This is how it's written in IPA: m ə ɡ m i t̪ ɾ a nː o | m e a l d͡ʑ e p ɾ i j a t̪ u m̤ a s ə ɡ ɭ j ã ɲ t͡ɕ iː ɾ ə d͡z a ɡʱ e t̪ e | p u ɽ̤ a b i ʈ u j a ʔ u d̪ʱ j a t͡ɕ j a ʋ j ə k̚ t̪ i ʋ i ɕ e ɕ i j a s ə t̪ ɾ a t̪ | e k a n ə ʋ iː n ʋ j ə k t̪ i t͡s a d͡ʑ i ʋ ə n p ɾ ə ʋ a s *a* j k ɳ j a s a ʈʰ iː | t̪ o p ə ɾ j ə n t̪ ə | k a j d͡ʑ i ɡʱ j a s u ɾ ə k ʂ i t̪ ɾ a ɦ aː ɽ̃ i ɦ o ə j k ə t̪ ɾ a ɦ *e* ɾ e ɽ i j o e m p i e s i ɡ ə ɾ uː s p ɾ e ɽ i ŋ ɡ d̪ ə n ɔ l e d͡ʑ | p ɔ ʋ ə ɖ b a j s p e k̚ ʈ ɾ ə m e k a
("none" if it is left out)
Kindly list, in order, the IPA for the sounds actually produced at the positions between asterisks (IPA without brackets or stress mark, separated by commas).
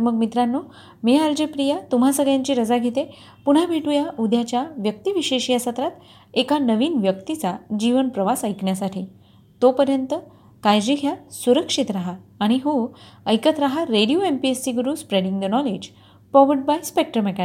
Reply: ə, a